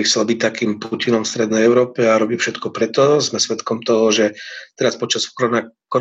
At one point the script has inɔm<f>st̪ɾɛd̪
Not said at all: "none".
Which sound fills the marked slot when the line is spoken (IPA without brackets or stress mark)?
f